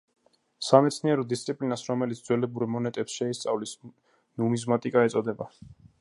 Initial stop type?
plain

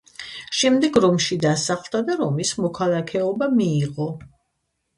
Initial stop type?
plain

